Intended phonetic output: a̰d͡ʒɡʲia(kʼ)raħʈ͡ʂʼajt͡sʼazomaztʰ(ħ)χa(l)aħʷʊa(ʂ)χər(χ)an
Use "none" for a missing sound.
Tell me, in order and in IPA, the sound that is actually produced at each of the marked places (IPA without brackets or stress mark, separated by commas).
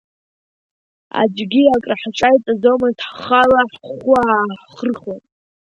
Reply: kʼ, ħ, l, ħ, χ